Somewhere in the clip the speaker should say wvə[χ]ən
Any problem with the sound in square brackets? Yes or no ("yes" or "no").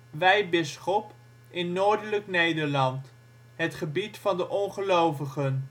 no